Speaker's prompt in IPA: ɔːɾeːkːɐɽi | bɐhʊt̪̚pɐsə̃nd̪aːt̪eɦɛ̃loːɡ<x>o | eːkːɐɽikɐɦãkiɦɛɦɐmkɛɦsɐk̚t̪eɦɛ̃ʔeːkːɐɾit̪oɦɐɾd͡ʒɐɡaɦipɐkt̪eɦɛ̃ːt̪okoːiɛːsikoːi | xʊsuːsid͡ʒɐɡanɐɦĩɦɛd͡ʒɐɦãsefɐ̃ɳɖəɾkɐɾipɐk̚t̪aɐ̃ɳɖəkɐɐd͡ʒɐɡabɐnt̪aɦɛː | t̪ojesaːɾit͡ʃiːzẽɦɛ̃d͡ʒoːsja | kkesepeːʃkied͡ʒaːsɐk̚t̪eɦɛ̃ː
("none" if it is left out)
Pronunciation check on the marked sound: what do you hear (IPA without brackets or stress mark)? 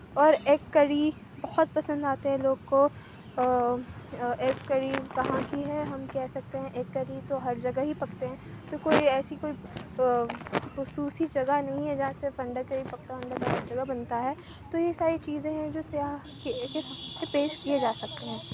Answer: k